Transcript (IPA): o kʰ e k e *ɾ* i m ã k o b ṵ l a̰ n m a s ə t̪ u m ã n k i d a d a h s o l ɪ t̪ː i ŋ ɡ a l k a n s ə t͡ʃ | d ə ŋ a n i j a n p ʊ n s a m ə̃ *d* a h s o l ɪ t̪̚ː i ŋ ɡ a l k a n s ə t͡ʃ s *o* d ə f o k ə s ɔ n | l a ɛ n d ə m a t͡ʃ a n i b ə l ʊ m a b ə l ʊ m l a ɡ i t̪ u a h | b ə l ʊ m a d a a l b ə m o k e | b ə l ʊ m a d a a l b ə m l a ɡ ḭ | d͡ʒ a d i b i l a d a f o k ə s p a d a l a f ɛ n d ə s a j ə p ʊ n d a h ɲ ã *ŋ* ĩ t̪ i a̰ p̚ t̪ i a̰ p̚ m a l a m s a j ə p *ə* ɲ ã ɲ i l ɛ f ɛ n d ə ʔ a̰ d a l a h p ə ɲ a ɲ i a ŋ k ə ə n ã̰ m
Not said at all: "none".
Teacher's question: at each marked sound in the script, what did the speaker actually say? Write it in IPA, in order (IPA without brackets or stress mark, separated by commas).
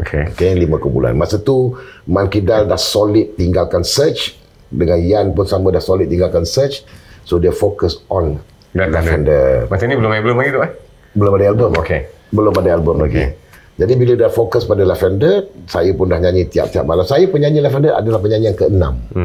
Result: l, d, o, ɲ, ə